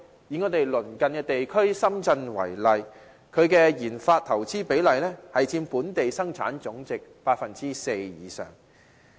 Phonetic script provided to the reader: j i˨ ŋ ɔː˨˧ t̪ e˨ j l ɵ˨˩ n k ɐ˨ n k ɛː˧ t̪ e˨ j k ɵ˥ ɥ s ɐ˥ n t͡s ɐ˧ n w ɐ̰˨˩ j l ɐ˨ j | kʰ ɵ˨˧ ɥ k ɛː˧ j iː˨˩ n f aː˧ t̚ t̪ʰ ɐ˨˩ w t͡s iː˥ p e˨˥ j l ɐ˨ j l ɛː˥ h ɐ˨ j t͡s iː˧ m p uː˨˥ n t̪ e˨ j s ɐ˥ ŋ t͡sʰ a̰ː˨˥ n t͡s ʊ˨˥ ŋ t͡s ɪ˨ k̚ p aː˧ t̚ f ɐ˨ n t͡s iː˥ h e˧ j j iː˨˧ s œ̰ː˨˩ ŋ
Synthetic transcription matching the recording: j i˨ ŋ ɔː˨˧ t̪ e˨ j l ɵ˨˩ n k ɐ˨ n k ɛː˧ t̪ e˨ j kʰ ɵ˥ ɥ s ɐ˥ m t͡s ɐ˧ n w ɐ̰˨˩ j l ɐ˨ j | kʰ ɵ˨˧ ɥ k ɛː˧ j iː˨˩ n f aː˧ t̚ t̪ʰ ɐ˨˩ w t͡s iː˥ p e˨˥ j l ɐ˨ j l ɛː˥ h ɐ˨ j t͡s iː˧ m p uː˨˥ n t̪ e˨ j s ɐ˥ ŋ t͡sʰ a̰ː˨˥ n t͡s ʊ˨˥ ŋ t͡s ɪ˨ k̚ p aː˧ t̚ f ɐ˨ n t͡s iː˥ s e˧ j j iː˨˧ s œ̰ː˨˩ ŋ